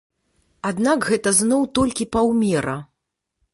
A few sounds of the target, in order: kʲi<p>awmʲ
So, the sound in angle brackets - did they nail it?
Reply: yes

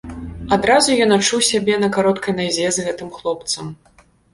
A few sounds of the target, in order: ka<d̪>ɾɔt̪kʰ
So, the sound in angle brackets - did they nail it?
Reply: no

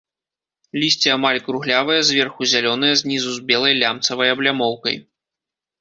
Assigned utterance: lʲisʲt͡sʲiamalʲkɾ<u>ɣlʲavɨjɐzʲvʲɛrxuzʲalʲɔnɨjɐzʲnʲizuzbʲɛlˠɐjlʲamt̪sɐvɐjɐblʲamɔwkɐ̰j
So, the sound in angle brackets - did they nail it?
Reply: yes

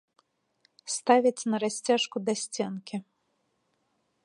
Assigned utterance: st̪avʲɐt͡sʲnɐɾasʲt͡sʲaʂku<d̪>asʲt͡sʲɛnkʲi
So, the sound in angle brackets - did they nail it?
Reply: yes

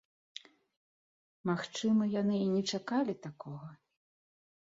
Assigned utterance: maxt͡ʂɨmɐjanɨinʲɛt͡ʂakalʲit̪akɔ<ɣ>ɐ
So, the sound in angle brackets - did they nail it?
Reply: yes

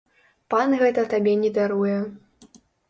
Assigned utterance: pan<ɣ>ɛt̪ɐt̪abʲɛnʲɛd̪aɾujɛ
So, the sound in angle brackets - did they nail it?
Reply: yes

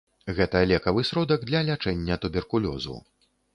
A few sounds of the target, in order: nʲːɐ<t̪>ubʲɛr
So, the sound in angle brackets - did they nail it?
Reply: yes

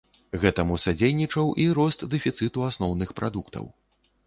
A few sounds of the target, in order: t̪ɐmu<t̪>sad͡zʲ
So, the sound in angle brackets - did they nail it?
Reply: no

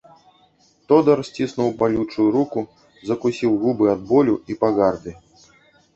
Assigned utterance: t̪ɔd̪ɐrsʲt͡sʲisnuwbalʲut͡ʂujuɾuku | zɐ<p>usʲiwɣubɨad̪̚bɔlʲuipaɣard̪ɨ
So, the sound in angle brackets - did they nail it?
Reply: no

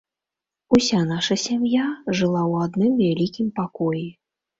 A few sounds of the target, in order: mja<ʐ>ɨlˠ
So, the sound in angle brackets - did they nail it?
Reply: yes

